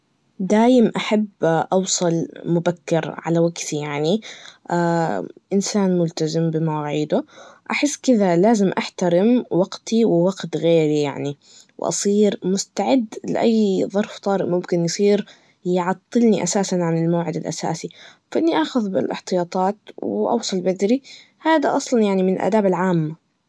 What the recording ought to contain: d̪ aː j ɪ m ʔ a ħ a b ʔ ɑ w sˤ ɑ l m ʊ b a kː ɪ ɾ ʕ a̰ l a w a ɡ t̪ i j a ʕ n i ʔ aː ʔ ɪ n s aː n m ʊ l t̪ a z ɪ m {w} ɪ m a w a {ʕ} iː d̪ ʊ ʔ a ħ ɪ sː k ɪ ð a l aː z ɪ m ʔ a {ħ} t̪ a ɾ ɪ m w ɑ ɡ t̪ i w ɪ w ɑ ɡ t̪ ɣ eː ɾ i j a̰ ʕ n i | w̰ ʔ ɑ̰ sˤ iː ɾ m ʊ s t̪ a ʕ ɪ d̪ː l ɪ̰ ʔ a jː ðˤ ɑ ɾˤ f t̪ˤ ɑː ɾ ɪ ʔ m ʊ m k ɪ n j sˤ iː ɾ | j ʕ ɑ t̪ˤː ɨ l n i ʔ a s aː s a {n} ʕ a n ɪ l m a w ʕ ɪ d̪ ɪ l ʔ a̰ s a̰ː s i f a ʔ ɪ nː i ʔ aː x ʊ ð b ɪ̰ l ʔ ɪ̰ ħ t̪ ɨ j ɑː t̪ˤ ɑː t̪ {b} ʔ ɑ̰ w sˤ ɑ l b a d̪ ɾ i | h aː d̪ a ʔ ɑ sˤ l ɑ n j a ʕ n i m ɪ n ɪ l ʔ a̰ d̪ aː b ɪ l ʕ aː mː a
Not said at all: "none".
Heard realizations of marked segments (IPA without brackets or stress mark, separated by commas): b, ʕ, ħ, n, w